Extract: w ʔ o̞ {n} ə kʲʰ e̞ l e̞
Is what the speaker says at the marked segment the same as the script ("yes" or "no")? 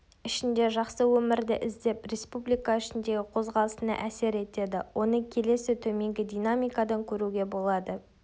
yes